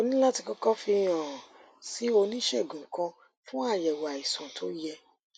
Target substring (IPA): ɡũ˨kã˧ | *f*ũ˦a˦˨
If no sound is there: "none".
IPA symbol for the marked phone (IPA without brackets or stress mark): f